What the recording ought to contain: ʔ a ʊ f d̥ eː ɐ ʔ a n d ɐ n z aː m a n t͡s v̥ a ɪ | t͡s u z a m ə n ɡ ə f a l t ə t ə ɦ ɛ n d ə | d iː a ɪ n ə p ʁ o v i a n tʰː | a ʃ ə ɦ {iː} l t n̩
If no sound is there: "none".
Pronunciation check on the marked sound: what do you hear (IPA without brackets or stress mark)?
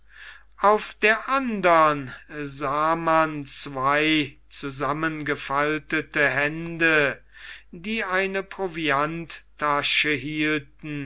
iː